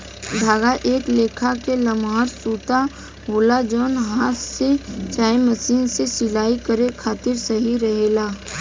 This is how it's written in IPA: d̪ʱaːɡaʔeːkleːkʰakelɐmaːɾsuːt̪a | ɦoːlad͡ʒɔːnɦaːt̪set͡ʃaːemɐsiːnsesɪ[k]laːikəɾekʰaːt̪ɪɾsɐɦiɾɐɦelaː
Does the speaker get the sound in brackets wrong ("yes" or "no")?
yes